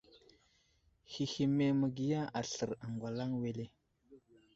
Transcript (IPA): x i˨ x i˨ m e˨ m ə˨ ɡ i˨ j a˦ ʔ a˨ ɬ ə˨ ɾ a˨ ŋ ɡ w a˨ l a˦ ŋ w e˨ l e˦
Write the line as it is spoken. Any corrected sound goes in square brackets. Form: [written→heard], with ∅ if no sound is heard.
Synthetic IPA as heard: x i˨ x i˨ m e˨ m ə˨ ɡ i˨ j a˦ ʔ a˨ ɬ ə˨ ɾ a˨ ŋ ɡ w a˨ l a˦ ŋ w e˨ l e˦